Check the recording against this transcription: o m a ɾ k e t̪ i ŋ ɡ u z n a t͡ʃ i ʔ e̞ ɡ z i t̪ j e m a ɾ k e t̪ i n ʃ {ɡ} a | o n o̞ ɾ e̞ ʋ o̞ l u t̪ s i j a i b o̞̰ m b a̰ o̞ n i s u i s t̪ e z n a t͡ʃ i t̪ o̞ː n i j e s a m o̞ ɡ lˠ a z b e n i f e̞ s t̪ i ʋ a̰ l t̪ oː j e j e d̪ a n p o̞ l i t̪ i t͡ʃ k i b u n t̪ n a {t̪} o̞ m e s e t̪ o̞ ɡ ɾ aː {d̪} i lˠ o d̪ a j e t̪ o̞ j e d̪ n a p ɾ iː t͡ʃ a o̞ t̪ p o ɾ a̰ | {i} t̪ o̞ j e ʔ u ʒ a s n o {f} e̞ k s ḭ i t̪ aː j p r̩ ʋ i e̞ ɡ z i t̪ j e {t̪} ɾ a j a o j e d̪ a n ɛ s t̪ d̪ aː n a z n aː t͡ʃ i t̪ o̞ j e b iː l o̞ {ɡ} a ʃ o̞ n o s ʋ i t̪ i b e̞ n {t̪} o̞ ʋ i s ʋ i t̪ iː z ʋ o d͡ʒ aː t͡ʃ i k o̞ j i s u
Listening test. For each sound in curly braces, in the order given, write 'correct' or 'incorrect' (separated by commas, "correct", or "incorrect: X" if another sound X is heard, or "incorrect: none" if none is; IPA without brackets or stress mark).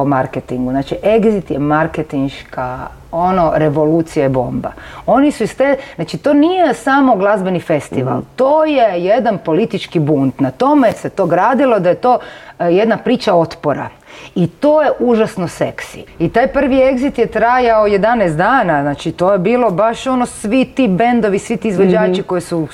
incorrect: k, correct, correct, correct, incorrect: s, correct, incorrect: b, incorrect: d̪